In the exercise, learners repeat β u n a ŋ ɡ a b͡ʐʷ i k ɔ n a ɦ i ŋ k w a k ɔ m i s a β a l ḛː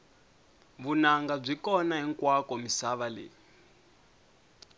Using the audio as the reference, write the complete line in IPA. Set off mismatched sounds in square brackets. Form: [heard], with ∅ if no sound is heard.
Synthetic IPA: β u n a ŋ ɡ a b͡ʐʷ i k ɔ n a ɦ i ŋ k w a k ɔ m i s a β a l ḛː